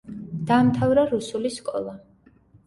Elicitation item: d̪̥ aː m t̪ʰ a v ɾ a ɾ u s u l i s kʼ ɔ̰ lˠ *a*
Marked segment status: correct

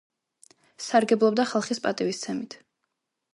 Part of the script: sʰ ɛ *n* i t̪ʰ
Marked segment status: incorrect: m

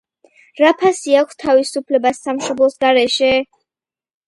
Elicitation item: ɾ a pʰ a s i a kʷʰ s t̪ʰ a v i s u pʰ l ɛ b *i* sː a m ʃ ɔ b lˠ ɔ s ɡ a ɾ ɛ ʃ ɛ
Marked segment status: incorrect: a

